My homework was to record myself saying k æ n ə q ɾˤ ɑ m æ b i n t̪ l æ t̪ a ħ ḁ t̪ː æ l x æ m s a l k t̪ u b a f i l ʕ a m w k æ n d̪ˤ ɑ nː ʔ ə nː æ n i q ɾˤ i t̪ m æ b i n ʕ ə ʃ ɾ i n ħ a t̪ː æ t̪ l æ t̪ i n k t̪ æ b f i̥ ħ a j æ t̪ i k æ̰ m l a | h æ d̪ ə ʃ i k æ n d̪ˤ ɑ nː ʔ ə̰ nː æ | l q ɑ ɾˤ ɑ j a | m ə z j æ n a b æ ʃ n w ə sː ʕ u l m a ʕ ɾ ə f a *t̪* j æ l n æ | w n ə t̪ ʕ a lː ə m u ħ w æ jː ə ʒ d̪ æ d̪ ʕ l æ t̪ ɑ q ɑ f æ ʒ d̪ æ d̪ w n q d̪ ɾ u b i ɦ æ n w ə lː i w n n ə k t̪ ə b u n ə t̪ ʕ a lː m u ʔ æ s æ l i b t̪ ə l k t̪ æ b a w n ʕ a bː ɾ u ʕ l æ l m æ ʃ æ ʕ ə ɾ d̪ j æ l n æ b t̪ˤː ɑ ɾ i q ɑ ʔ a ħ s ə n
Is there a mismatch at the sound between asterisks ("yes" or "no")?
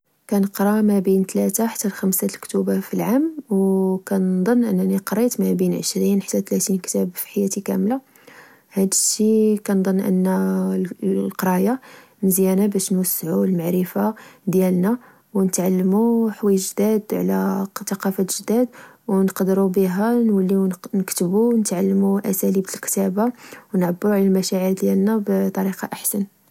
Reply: yes